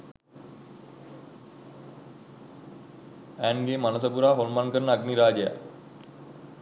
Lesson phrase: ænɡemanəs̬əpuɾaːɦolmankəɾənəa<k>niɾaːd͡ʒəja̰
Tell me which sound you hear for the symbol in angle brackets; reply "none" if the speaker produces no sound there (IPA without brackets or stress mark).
ɡ